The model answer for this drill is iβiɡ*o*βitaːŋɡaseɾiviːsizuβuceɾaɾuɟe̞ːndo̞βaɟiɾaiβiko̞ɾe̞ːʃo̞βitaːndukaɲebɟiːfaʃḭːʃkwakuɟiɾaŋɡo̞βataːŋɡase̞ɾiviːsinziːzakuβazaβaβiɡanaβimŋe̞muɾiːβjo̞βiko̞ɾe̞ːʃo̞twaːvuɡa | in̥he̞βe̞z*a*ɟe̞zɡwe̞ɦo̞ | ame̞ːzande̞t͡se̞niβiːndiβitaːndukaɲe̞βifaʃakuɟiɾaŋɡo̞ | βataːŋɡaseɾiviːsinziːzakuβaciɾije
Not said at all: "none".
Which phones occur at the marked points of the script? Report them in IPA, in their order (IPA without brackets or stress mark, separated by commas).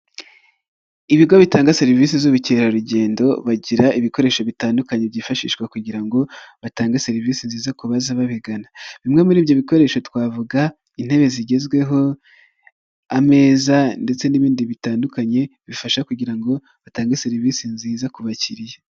o, i